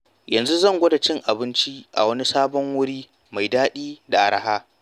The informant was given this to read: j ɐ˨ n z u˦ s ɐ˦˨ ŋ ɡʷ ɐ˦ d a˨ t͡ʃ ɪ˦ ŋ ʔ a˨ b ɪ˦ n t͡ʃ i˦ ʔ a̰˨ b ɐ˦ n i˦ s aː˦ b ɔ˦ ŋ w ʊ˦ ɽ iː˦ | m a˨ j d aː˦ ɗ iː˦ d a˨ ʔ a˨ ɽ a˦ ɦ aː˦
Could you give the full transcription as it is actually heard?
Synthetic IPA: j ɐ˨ n z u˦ z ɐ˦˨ ŋ ɡʷ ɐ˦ d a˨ t͡ʃ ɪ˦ ŋ ʔ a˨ b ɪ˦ n t͡ʃ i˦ ʔ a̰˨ w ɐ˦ n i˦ s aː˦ b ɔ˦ ŋ w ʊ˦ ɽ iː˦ | m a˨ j d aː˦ ɗ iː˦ d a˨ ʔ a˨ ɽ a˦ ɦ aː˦